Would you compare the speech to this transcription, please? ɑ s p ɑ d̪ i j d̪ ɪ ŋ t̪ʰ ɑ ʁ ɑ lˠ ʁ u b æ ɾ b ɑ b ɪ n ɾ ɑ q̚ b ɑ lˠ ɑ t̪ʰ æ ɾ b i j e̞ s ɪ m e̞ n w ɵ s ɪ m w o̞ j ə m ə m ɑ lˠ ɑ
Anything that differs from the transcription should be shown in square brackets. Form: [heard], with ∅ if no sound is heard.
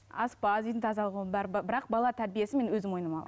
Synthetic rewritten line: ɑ s p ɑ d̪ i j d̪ ɪ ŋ t̪ʰ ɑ [z] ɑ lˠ ʁ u b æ ɾ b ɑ b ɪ [∅] ɾ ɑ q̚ b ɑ lˠ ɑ t̪ʰ æ ɾ b i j e̞ s ɪ m e̞ n w ɵ [z] ɪ m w o̞ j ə [n] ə m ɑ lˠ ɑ